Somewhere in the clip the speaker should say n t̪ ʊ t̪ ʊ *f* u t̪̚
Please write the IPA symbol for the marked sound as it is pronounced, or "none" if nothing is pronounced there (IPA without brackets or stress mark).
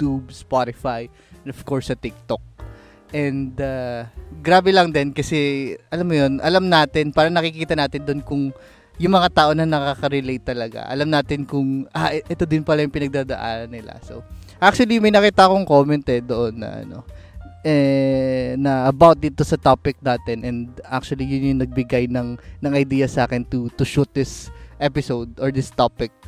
ʃ